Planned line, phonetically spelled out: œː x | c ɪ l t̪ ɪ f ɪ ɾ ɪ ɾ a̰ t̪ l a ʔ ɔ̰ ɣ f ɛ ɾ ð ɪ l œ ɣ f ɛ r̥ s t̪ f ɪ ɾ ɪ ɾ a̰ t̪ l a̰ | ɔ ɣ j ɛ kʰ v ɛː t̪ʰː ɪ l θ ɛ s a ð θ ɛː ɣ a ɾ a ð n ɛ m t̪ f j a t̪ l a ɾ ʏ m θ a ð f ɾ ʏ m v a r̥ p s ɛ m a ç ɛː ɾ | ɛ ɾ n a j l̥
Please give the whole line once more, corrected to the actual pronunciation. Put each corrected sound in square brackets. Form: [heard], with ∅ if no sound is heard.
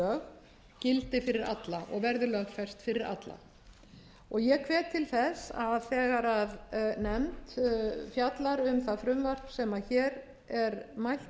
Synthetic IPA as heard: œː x | c ɪ l t̪ ɪ f ɪ ɾ ɪ ɾ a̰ t̪ l a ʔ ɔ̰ ɣ [v] ɛ ɾ ð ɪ l œ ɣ f ɛ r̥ s t̪ f ɪ ɾ ɪ ɾ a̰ t̪ l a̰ | ɔ ɣ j ɛ kʰ v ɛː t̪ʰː ɪ l θ ɛ s a ð θ ɛː ɣ a ɾ a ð n ɛ m t̪ f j a t̪ l a ɾ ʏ m θ a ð f ɾ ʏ m v a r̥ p s ɛ m a ç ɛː ɾ | ɛ ɾ [m] a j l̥